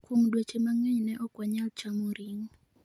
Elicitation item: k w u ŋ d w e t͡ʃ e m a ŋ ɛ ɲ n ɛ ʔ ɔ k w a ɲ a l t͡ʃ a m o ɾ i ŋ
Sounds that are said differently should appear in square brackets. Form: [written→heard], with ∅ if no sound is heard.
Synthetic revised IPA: k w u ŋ d w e t͡ʃ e m a ŋ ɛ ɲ n ɛ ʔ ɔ k w a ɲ a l t͡ʃ a m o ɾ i ŋ